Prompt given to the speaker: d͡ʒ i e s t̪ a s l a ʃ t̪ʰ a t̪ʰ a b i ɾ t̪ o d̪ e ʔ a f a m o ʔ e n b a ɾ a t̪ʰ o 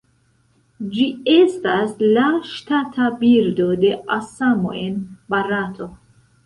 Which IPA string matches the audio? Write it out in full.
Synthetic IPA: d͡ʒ i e s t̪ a s l a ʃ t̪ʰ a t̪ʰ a b i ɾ d̪ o d̪ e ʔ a s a m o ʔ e n b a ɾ a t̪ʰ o